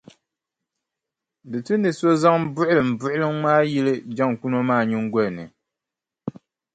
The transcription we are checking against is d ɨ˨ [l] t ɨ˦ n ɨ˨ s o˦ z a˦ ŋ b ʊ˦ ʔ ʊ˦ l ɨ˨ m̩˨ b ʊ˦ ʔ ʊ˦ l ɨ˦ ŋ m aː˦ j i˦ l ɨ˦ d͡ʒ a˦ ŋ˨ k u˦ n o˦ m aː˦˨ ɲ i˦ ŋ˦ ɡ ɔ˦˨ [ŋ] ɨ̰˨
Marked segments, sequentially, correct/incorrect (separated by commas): incorrect, incorrect